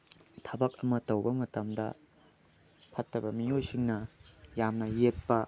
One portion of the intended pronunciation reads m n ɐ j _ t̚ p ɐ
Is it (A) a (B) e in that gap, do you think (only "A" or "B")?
B